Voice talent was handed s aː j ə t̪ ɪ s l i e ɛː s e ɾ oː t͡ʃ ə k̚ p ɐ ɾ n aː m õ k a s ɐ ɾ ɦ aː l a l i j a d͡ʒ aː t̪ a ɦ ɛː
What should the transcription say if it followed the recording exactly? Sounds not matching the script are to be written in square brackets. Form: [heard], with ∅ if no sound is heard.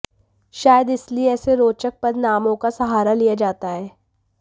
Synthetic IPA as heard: [ʃ] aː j ə [d̪] ɪ s l i e ɛː s e ɾ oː t͡ʃ ə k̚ p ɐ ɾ n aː m õ k a s ɐ [∅] ɦ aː [ɾ] a l i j a d͡ʒ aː t̪ a ɦ ɛː